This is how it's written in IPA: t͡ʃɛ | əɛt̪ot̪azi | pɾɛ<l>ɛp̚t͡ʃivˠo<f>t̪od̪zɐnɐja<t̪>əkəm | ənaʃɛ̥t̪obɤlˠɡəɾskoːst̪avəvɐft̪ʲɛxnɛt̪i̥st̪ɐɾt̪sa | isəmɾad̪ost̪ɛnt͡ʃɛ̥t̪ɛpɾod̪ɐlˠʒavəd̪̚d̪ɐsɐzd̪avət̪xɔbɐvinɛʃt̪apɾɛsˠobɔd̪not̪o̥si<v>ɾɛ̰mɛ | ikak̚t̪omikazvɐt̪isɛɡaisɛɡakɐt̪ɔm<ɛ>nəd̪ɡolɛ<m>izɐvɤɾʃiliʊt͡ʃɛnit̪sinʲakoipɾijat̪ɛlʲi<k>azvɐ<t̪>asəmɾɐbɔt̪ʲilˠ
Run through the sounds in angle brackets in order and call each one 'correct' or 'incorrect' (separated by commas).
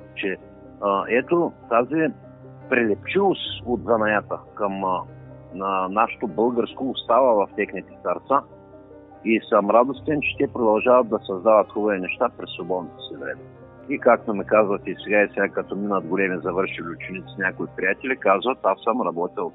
correct, incorrect, correct, correct, incorrect, correct, correct, correct